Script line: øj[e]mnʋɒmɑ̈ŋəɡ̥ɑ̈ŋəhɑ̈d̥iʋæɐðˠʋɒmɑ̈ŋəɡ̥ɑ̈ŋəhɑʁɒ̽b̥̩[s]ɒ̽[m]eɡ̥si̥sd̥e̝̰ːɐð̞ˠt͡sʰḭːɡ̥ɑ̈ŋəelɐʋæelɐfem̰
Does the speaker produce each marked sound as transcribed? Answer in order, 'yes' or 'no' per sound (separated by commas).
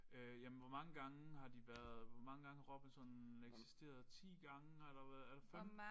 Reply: no, yes, no